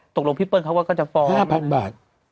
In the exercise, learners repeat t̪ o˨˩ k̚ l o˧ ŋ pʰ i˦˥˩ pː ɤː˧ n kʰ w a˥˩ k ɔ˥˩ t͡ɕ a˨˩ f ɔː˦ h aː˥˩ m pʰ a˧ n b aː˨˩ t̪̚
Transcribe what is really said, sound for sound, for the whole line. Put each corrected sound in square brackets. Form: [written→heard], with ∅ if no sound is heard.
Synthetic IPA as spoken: t̪ o˨˩ k̚ l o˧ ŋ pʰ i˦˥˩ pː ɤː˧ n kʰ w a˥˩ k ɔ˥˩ t͡ɕ a˨˩ f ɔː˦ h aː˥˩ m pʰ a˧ n b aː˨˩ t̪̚